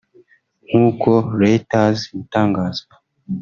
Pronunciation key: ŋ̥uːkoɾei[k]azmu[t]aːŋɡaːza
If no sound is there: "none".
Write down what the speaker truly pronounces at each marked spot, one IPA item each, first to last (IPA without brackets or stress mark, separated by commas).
t, t